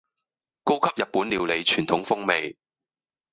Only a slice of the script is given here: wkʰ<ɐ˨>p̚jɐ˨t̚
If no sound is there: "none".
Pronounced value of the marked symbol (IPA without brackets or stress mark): ɐ˥